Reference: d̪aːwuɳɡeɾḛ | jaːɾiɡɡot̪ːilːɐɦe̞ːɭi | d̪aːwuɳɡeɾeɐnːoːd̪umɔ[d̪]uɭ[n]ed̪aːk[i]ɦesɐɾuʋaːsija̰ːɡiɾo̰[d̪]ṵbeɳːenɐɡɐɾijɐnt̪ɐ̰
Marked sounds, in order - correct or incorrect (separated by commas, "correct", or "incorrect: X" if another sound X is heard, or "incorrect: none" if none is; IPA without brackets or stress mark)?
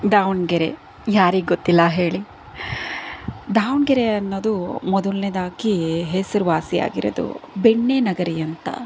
correct, correct, correct, correct